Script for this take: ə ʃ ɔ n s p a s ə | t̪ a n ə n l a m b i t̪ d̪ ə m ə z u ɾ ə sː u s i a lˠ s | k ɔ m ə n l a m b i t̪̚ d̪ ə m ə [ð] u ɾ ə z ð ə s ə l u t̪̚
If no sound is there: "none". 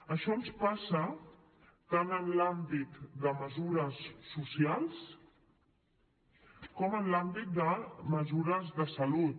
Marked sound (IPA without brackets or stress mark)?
z